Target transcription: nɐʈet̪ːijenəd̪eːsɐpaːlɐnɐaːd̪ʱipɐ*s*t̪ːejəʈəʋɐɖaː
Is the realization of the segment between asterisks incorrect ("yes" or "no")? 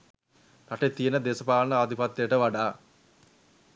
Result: yes